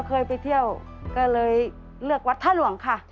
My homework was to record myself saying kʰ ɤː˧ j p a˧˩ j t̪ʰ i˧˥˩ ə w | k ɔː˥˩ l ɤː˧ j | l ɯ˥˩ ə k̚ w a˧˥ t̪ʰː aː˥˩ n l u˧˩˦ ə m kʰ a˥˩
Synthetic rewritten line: kʰ ɤː˧ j p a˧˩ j t̪ʰ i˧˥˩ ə w | k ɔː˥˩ l ɤː˧ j | l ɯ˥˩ ə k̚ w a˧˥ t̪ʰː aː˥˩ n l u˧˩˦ ə ŋ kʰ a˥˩